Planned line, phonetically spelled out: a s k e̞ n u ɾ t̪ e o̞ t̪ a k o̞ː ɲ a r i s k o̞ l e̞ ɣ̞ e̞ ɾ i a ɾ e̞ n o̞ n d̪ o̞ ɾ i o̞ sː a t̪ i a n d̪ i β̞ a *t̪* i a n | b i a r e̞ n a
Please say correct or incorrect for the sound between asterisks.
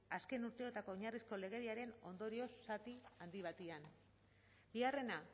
correct